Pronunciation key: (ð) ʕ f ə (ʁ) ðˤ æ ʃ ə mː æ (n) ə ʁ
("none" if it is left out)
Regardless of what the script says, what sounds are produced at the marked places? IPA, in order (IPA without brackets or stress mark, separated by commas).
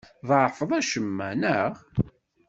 ð, none, n